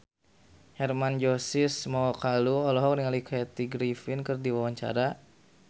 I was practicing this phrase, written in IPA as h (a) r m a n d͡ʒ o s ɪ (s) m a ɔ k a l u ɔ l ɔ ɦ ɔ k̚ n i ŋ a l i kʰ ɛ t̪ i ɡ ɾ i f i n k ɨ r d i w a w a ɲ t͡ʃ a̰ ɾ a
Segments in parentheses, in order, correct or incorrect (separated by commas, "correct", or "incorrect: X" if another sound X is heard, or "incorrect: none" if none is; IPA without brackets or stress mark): incorrect: ɛ, correct